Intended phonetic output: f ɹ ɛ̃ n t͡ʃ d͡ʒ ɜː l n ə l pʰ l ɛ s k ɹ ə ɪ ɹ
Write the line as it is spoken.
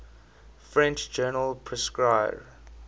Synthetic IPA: f ɹ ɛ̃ n t͡ʃ d͡ʒ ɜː n ə l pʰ ɹ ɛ s k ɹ a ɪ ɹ